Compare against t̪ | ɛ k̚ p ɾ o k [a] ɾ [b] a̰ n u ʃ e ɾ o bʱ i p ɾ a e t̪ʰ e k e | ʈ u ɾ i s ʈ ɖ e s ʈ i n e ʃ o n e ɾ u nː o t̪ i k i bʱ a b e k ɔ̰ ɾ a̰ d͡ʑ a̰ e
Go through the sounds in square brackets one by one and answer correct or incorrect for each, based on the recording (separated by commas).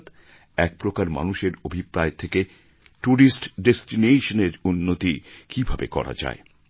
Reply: correct, incorrect